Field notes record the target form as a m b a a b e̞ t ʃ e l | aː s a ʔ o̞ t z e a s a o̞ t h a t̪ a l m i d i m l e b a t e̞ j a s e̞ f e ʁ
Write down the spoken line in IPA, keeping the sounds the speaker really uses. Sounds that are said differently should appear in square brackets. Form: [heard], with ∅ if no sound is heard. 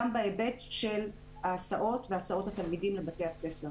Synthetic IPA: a m b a [e] b e̞ t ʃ e l | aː s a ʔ o̞ t [v] e a s a o̞ t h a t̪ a l m i d i m l e b a t e̞ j a s e̞ f e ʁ